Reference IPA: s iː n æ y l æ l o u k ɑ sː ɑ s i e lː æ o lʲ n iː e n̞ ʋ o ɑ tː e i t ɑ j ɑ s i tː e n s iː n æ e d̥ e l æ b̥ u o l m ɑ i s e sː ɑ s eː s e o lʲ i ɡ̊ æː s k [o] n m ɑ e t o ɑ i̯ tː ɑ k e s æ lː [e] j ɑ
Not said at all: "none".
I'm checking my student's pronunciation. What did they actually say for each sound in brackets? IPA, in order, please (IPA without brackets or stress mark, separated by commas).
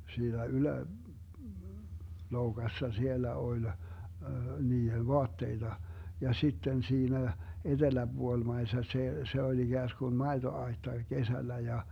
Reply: u, æ